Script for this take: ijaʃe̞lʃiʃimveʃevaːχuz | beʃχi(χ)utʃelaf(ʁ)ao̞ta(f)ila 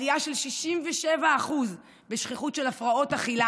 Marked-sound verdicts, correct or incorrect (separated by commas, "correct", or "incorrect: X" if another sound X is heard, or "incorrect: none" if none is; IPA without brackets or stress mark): correct, correct, incorrect: χ